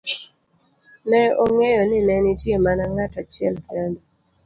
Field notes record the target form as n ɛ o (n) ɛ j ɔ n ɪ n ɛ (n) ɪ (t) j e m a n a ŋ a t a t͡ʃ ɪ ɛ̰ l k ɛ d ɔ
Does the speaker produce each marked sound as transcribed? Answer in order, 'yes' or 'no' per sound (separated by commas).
no, yes, yes